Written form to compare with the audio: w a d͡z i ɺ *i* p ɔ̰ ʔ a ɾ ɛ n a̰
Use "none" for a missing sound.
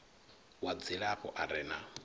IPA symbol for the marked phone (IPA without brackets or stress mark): a